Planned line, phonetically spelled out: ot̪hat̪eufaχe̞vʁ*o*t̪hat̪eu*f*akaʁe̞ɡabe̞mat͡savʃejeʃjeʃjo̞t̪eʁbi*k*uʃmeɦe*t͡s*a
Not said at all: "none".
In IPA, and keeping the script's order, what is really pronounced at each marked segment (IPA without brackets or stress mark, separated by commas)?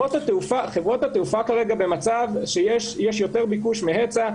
o, f, k, t͡s